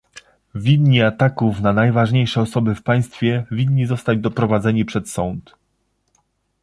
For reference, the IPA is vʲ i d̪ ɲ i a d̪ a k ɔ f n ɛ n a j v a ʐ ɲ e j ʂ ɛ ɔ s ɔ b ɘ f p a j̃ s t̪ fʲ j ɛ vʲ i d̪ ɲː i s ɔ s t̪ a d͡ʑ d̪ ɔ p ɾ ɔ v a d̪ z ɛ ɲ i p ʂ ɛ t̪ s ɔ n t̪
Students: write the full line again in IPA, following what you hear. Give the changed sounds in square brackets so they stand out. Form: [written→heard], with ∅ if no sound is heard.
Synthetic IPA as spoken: vʲ i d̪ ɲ i a [d̪→t̪] a k [ɔ→u] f n [ɛ→a] n a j v a ʐ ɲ e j ʂ ɛ ɔ s ɔ b ɘ f p a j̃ s t̪ fʲ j ɛ vʲ i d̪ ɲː i [s→z] ɔ s t̪ a d͡ʑ d̪ ɔ p ɾ ɔ v a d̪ z ɛ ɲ i p ʂ ɛ t̪ s ɔ n t̪